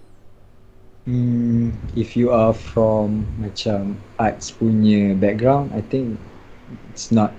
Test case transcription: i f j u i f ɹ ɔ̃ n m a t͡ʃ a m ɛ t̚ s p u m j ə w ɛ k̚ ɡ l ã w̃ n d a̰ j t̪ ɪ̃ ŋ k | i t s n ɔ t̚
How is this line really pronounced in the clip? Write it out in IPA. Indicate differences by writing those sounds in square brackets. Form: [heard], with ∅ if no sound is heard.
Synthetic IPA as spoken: i f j u [a] f ɹ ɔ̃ [m] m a t͡ʃ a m [a] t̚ s p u [n] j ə [b] ɛ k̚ ɡ [ɹ] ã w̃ n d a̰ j t̪ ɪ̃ ŋ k | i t s n ɔ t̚